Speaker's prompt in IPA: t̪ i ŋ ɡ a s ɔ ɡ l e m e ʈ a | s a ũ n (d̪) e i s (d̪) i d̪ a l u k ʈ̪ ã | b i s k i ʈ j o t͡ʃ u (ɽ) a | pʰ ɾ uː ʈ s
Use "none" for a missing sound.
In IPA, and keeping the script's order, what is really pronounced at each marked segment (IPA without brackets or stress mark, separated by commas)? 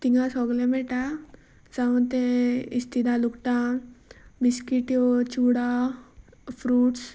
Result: t̪, t̪, ɽ